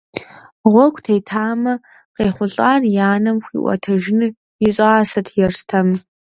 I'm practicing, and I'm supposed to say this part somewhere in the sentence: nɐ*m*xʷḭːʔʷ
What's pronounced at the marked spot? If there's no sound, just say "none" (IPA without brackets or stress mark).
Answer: m